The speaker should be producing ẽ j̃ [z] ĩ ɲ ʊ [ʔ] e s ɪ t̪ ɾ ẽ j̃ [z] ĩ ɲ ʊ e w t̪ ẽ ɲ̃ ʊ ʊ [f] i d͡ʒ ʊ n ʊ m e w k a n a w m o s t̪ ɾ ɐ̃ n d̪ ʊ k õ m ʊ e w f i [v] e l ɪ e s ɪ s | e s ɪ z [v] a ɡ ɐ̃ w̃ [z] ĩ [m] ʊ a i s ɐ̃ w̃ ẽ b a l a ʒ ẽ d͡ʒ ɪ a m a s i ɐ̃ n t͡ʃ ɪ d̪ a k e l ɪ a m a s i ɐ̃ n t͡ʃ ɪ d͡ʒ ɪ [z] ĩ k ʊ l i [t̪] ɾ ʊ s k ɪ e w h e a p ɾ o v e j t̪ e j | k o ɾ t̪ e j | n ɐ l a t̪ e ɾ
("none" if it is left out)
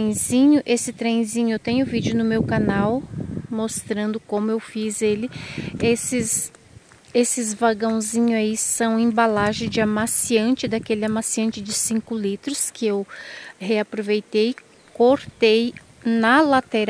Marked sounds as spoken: z, ʔ, z, v, z, v, z, ɲ, s, t̪

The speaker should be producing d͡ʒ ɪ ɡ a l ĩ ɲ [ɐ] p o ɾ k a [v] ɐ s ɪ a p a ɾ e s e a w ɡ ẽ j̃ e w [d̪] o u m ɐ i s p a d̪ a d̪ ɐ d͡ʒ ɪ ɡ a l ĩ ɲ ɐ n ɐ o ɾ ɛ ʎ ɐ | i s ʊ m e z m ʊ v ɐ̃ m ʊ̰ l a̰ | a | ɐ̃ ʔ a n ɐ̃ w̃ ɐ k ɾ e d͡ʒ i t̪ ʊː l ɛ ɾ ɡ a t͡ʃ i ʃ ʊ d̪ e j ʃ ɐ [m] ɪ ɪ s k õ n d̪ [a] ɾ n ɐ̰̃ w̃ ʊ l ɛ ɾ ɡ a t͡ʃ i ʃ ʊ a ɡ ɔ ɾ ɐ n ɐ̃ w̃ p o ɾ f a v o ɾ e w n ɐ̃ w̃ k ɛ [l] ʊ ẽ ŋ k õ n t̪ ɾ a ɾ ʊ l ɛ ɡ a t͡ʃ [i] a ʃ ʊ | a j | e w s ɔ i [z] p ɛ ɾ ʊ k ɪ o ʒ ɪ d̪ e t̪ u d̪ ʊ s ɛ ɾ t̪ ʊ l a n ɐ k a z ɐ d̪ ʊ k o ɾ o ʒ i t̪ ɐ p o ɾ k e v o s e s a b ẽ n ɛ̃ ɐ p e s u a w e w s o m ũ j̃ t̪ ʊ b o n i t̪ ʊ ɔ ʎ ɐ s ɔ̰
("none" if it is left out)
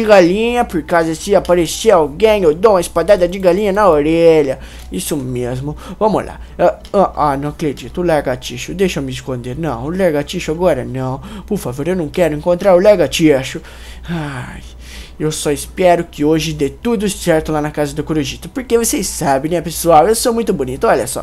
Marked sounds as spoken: ɐ, z, d̪, m, e, ɾ, i, s

